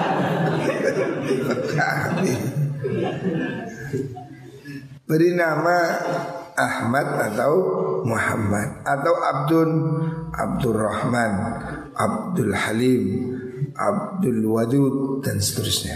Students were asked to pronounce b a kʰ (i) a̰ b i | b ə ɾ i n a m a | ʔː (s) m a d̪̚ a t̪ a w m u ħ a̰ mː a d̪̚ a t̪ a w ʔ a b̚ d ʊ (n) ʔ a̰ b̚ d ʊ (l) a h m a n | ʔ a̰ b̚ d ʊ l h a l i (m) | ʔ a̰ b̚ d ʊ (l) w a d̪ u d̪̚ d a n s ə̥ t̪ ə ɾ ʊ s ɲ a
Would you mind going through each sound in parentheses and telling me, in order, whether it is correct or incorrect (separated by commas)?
incorrect, incorrect, correct, incorrect, correct, correct